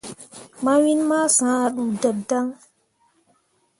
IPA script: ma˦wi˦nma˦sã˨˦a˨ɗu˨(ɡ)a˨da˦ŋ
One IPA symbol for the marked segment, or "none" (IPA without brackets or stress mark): d